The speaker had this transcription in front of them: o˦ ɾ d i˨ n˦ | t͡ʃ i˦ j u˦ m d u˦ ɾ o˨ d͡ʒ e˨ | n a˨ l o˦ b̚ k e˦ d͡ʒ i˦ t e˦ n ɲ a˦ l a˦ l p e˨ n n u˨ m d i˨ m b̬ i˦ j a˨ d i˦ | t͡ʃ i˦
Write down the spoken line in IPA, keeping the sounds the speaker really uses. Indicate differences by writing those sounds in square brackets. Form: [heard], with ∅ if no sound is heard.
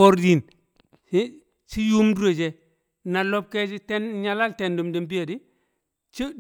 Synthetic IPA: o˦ ɾ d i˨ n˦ | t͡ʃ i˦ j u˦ m d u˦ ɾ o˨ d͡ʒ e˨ | n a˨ l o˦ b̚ k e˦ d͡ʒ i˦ t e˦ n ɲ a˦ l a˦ l [t] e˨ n [d] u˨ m d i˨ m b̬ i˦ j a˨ d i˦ | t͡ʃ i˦